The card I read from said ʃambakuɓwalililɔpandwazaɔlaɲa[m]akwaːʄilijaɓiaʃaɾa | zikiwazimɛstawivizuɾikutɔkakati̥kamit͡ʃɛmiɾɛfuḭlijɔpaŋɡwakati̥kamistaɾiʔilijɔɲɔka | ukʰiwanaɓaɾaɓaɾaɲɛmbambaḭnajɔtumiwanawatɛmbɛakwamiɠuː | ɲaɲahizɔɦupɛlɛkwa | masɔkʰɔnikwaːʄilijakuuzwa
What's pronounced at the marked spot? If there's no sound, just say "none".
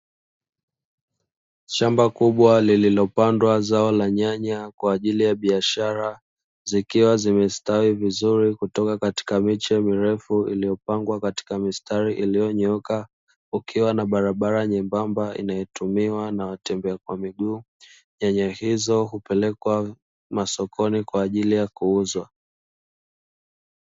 ɲ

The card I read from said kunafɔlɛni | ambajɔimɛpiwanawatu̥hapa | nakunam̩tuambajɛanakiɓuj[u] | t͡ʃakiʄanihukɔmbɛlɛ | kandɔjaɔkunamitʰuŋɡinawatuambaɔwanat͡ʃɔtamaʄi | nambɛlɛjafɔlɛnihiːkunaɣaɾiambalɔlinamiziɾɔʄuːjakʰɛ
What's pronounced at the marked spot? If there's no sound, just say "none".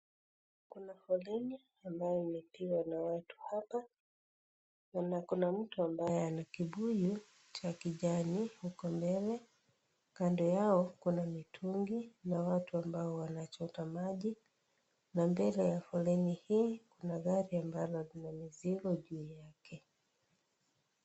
u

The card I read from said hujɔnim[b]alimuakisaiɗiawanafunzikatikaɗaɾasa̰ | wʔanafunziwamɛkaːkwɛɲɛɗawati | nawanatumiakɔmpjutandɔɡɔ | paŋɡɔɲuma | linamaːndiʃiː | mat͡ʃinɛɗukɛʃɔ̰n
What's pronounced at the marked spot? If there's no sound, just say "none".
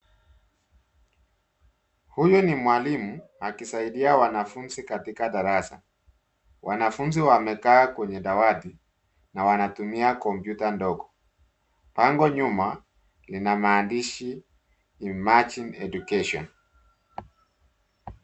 w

